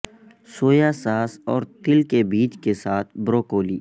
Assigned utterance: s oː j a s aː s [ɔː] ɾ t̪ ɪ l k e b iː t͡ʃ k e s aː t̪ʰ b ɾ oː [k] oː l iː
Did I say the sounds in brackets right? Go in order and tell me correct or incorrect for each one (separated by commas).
correct, correct